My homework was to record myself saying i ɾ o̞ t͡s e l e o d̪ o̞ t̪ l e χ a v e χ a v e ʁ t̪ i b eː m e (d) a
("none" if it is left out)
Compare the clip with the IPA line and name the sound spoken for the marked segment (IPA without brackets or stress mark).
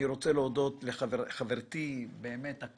t